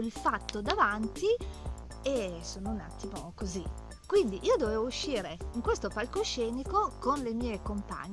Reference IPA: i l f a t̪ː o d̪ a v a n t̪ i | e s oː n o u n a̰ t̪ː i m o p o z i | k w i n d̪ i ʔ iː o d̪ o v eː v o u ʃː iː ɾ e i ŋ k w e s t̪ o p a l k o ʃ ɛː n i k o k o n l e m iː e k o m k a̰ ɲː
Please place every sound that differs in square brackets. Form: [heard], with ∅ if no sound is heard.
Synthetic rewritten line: i l f a t̪ː o d̪ a v a n t̪ i | e s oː n o u n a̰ t̪ː i m o [k] o z i | k w i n d̪ i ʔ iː o d̪ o v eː v o u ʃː iː ɾ e i ŋ k w e s t̪ o p a l k o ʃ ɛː n i k o k o n l e m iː e k o m [p] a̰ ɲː